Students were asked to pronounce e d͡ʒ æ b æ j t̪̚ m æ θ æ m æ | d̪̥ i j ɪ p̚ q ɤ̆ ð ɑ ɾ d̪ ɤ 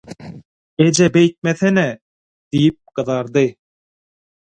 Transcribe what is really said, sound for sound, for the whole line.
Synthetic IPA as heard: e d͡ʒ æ b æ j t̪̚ m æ θ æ n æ | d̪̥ i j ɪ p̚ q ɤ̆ ð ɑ ɾ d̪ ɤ